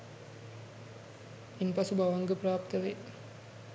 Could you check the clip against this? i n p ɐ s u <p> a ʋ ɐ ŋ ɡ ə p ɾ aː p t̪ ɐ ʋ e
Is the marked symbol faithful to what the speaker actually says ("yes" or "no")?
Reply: no